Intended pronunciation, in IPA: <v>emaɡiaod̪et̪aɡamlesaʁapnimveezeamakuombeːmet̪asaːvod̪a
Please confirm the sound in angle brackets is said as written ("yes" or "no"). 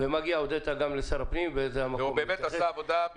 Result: yes